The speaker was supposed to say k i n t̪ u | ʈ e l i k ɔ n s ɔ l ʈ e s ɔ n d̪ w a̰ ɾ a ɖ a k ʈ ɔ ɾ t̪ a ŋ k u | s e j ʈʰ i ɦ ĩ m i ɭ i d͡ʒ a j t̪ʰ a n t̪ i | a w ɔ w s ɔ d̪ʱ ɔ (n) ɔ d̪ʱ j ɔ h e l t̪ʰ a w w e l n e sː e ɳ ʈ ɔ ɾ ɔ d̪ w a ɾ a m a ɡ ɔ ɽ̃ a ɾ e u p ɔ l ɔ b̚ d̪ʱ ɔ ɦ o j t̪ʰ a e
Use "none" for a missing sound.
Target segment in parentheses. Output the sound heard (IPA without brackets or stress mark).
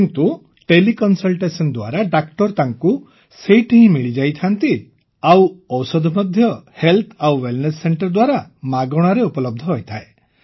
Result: m